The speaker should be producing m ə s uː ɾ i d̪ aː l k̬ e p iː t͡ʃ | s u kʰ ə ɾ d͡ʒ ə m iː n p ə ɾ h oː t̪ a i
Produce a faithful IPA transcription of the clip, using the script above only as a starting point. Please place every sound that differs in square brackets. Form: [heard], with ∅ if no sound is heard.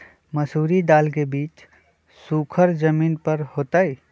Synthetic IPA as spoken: m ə s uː ɾ i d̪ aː l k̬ e [b] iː t͡ʃ | s u kʰ ə ɾ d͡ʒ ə m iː n p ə ɾ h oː t̪ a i